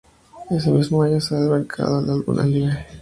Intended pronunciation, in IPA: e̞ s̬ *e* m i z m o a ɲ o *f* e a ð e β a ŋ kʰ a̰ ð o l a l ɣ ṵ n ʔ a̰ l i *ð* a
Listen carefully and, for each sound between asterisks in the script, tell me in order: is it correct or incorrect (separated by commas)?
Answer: correct, incorrect, incorrect